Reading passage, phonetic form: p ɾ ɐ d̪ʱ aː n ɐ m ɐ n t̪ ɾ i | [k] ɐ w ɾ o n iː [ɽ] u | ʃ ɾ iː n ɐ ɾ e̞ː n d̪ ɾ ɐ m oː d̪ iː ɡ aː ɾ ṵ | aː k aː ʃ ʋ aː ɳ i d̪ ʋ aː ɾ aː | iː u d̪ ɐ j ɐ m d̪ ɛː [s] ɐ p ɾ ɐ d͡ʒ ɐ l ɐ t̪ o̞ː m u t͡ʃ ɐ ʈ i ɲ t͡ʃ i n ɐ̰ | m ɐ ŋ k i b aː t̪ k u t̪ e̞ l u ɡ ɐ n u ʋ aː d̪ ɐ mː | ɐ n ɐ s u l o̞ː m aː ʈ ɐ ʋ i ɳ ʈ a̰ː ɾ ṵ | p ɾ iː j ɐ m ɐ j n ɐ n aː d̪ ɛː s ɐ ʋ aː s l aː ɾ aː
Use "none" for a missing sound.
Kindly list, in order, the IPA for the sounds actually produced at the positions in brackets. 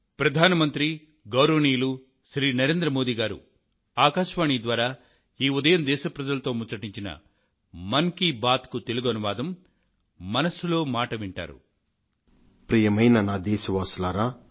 ɡ, l, ʃ

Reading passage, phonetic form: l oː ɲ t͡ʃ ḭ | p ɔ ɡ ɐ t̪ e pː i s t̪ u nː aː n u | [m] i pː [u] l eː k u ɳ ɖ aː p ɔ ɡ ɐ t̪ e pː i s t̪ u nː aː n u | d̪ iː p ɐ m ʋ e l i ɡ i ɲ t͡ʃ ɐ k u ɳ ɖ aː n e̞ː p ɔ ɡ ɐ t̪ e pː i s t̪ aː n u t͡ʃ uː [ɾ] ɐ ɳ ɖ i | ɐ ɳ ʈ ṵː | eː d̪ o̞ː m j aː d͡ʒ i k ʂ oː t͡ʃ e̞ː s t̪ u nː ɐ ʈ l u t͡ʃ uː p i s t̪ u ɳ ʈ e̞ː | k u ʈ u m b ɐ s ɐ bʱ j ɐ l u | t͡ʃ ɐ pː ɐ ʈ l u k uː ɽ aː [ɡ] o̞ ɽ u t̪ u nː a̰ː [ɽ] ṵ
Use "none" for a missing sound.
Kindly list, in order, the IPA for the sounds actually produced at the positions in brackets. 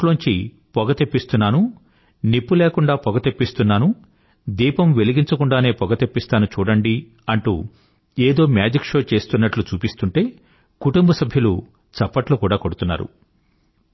n, u, ɽ, k, ɾ

